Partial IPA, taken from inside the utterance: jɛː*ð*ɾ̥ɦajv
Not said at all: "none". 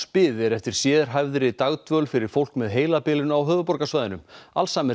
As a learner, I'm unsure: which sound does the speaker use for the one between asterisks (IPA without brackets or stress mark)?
ð